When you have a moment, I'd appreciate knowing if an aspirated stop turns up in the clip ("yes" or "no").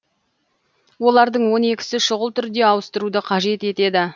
yes